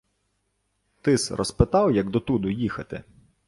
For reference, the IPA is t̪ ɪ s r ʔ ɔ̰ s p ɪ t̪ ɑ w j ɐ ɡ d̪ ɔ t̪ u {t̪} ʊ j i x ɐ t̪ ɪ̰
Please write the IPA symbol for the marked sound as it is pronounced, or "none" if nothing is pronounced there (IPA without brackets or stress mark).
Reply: d̪